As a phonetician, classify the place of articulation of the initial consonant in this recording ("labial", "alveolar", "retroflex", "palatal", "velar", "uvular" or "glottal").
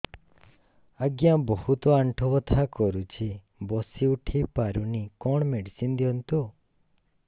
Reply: velar